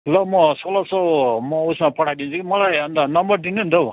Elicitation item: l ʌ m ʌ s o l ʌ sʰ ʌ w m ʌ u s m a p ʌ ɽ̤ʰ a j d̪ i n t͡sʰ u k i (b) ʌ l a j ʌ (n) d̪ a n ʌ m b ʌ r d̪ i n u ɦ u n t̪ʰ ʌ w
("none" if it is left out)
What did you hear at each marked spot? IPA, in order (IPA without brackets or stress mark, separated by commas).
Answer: m, n